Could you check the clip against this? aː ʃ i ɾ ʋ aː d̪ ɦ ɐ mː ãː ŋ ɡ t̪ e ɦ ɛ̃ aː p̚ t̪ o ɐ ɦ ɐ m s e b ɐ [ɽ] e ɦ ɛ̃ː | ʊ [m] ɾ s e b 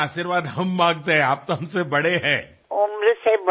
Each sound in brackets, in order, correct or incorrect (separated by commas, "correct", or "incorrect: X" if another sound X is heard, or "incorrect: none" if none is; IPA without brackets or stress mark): correct, correct